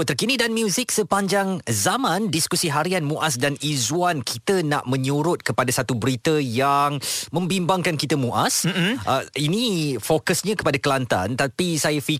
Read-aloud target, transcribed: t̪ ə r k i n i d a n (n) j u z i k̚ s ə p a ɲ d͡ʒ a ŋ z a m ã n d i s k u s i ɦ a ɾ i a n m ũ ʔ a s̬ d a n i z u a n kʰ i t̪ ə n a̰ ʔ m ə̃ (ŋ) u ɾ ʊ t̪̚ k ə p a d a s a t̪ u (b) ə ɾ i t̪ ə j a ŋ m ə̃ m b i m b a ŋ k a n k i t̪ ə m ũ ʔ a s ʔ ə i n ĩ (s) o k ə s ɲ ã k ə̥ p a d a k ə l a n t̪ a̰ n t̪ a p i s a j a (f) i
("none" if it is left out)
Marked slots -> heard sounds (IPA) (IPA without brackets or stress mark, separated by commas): m, ɲ, b, f, f